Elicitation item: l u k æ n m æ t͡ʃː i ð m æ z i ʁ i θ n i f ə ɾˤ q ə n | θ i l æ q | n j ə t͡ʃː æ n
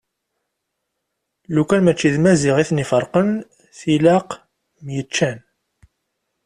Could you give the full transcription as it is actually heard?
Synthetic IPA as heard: l u k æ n m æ t͡ʃː i ð m æ z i ʁ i θ n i f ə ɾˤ q ə n | θ i l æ q | m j ə t͡ʃː æ n